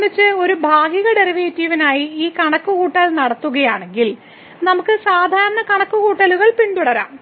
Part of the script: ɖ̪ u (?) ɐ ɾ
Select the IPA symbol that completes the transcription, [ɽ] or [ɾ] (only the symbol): ɽ